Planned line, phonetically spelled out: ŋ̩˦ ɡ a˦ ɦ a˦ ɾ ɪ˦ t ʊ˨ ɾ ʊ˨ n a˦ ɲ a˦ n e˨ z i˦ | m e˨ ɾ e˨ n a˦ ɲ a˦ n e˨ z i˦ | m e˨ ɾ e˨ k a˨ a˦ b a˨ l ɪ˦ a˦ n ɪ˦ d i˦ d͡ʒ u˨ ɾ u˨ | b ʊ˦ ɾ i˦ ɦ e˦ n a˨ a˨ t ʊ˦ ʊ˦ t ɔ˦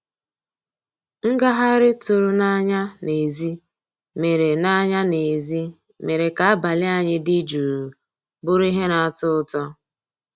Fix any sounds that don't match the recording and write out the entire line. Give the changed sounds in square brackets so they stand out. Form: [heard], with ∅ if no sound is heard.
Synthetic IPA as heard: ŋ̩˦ ɡ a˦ ɦ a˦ ɾ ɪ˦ t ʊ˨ ɾ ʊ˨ n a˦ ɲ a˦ n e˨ z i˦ | m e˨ ɾ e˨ n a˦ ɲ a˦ n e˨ z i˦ | m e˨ ɾ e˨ k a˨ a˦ b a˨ l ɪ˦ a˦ [ɲ] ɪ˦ d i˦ d͡ʒ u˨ ɾ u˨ | b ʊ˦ ɾ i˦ ɦ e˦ n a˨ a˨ t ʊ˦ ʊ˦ t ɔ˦